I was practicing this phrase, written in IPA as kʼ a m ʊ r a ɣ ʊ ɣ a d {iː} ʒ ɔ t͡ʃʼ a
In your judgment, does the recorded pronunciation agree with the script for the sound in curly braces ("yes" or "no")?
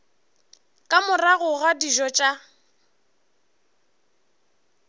no